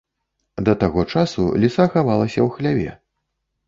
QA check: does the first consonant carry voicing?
yes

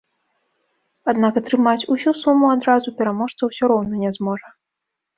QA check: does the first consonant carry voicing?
yes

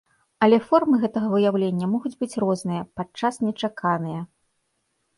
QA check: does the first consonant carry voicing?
yes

